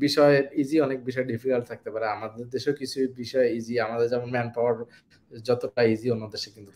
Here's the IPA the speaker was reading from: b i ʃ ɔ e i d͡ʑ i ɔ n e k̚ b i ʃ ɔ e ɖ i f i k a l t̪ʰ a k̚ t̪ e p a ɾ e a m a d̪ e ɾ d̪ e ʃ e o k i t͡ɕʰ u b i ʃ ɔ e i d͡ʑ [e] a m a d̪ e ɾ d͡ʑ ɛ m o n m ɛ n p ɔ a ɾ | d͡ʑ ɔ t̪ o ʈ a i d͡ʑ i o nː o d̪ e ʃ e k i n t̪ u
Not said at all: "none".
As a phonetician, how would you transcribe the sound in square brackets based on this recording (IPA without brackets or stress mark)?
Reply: i